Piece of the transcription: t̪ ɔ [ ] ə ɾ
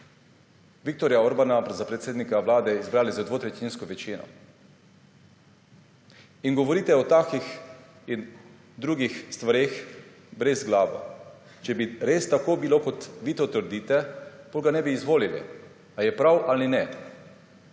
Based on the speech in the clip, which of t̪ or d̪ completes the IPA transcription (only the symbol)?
t̪